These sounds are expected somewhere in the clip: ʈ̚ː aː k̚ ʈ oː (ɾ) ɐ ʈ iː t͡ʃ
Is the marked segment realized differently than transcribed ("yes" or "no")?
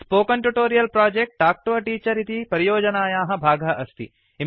yes